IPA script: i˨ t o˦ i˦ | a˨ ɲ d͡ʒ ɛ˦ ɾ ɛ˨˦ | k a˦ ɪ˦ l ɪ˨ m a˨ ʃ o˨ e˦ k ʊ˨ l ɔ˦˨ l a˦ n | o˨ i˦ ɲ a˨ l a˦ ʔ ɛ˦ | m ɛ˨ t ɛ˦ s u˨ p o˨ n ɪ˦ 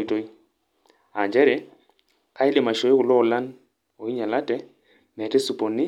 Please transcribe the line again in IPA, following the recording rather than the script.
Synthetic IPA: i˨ t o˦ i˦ | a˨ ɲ d͡ʒ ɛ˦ ɾ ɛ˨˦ | k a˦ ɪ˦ l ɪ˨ m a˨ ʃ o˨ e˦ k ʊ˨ l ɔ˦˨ l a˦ n | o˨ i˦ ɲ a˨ l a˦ t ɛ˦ | m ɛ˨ t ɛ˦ s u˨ p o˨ n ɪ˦